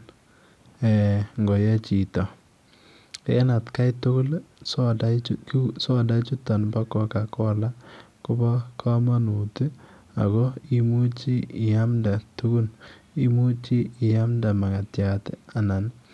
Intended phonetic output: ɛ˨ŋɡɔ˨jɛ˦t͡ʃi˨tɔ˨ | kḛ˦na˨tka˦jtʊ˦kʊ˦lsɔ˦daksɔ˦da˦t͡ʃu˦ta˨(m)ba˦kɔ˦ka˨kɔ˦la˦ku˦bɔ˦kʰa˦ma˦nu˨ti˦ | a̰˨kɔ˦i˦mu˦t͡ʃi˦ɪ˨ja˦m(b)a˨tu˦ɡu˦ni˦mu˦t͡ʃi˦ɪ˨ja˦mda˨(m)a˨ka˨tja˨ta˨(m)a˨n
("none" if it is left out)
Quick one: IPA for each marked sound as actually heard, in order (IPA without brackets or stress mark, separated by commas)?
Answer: n, d, m, n